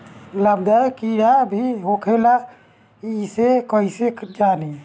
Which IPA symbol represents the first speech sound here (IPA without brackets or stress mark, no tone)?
l